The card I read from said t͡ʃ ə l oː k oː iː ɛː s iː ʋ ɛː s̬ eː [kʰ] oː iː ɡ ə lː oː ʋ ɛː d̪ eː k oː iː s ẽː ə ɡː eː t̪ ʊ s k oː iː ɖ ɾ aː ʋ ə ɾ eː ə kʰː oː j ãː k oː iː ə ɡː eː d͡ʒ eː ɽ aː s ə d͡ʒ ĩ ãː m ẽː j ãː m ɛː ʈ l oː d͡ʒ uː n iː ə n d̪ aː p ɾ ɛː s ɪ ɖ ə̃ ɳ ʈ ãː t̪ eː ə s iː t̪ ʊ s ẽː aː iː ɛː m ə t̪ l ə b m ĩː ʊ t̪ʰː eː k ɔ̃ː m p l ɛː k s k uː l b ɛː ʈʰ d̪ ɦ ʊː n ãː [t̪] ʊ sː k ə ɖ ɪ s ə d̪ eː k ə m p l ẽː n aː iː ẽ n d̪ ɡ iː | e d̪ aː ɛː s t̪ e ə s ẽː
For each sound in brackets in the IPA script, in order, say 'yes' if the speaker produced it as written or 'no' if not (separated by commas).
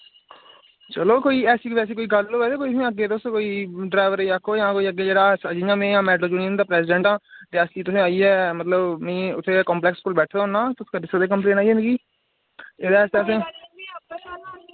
no, yes